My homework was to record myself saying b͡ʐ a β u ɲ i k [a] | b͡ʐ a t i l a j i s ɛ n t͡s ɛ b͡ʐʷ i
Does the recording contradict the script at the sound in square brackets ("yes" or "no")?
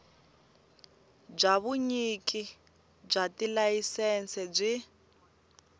yes